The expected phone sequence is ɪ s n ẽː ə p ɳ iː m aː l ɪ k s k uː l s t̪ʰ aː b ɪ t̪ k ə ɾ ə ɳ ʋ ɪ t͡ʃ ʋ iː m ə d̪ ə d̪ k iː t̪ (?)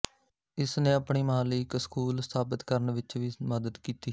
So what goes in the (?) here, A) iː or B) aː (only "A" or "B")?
A